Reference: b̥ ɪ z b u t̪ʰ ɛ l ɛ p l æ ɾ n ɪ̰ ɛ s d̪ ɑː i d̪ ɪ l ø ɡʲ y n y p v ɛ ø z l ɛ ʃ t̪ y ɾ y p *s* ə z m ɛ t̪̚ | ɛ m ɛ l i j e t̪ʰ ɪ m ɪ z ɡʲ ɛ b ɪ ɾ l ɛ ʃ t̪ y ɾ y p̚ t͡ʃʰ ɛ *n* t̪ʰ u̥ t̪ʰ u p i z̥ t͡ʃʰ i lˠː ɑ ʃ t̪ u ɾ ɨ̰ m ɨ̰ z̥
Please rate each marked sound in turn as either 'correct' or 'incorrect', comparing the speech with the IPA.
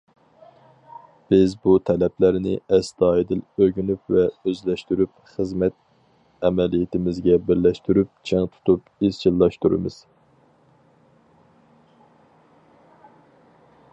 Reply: incorrect, incorrect

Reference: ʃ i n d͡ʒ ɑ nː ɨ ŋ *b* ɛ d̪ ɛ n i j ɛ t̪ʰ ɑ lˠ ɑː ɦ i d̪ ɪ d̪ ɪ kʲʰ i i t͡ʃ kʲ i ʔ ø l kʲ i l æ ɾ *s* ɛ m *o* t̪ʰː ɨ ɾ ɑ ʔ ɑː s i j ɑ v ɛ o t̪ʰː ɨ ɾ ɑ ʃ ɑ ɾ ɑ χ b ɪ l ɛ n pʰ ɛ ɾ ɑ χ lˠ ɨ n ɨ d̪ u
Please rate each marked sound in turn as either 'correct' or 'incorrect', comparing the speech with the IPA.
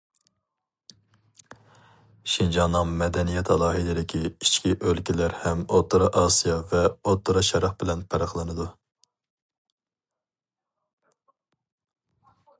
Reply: incorrect, incorrect, correct

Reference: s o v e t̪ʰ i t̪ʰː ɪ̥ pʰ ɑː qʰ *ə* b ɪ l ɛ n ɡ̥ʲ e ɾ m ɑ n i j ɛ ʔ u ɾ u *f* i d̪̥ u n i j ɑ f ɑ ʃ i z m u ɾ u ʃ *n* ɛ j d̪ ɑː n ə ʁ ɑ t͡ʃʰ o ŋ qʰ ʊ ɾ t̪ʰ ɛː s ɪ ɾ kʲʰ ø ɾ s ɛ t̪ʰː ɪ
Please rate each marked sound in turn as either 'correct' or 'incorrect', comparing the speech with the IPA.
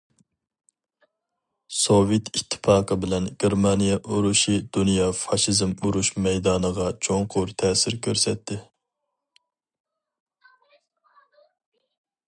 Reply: correct, incorrect, incorrect

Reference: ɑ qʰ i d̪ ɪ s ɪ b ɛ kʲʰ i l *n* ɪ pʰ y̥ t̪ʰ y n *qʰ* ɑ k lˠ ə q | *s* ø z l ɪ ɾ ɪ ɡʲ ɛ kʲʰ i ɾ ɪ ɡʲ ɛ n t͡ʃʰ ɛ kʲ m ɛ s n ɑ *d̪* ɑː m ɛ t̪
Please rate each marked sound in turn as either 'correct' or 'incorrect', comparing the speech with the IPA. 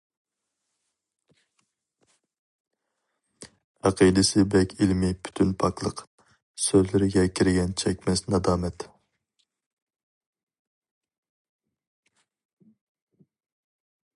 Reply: incorrect, incorrect, correct, correct

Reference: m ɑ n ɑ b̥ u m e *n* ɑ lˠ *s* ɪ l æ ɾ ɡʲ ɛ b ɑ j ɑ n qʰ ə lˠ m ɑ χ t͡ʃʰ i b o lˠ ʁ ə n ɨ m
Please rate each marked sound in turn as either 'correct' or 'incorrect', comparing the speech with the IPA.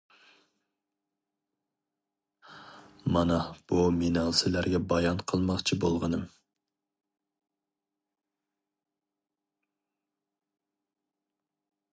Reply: correct, correct

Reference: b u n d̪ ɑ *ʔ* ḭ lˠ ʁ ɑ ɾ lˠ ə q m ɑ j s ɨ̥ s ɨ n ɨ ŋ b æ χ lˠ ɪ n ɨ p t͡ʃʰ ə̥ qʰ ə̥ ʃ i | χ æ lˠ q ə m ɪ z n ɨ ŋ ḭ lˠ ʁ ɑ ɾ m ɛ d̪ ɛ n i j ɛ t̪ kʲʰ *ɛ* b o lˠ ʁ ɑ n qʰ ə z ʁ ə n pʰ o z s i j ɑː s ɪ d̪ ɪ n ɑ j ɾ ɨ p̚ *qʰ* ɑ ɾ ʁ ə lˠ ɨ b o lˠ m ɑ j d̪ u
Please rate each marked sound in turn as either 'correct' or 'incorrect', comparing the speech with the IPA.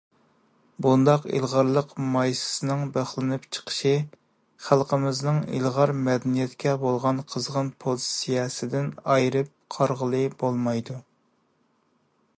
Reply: incorrect, correct, correct

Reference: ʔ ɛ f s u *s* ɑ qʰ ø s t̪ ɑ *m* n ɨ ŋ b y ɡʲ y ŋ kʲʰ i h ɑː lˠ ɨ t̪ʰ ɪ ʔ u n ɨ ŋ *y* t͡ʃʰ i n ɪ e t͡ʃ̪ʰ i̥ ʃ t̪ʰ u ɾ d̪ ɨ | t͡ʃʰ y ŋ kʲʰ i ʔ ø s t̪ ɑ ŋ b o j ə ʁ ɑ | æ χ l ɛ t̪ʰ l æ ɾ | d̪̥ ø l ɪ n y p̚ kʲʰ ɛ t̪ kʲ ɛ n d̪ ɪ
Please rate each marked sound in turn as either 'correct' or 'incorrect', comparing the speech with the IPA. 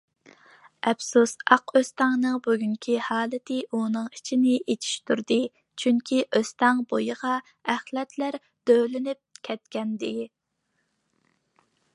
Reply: correct, incorrect, incorrect

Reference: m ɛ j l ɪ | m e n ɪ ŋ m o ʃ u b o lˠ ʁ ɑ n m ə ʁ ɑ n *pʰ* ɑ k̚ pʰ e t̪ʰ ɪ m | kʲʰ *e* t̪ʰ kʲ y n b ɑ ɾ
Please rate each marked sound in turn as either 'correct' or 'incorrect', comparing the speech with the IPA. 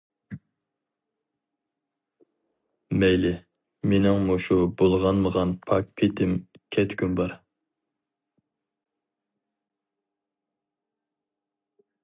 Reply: correct, incorrect

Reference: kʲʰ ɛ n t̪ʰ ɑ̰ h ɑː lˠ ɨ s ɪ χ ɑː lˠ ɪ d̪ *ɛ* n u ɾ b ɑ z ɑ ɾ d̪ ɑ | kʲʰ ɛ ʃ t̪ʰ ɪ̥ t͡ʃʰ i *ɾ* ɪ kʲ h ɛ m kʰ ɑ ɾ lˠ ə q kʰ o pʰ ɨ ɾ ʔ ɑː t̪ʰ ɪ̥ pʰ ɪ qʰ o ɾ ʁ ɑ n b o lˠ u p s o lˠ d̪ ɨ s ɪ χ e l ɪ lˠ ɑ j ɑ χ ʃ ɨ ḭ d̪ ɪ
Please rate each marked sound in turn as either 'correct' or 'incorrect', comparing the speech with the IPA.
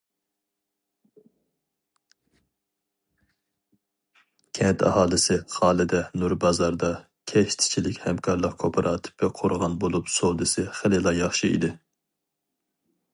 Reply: correct, incorrect

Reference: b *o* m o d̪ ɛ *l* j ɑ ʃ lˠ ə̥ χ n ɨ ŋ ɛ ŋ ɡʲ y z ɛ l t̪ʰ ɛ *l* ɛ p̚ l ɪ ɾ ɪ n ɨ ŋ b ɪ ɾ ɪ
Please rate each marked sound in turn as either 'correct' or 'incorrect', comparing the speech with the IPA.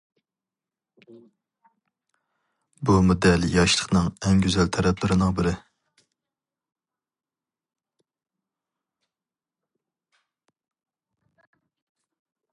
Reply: incorrect, correct, incorrect

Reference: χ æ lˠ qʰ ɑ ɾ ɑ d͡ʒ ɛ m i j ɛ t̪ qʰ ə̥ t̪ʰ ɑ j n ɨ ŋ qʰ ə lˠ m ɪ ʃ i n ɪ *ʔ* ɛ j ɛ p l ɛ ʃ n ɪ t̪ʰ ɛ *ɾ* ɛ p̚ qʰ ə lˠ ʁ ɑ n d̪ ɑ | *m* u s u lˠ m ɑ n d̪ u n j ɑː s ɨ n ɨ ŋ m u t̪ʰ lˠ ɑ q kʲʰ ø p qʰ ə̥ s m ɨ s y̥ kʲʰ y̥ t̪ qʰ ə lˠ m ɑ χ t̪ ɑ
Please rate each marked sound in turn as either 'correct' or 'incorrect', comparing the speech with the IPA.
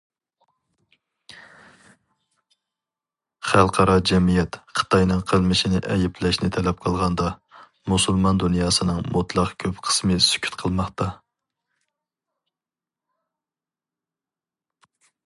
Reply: correct, incorrect, correct

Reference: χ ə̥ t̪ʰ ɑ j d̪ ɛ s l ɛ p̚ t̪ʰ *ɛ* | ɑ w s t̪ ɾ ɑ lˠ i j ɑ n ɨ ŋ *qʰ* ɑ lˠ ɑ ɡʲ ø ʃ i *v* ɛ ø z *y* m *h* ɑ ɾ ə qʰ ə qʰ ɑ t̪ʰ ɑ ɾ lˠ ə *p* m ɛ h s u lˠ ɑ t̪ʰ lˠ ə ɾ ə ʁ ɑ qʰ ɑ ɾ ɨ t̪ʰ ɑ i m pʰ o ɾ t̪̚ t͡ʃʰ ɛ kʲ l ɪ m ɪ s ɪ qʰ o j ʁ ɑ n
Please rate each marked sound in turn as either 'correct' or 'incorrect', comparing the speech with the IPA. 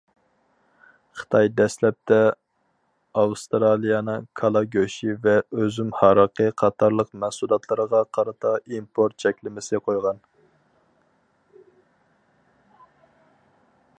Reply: correct, incorrect, correct, correct, correct, incorrect

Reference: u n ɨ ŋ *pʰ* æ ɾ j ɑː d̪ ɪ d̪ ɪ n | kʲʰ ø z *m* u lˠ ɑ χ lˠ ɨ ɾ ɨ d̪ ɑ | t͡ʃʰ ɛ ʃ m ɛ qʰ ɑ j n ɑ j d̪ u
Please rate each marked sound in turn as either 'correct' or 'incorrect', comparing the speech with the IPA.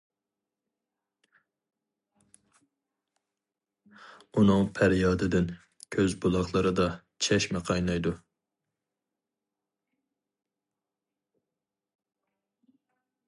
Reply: correct, incorrect

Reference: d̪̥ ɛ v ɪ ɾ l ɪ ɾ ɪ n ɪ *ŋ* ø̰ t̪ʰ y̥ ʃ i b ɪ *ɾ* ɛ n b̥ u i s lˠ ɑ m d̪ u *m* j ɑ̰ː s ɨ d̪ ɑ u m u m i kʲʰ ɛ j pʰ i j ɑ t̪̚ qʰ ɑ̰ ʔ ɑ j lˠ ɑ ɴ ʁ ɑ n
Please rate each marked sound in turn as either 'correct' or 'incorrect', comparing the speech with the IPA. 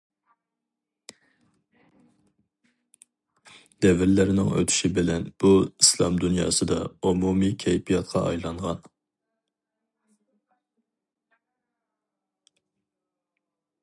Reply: correct, incorrect, incorrect

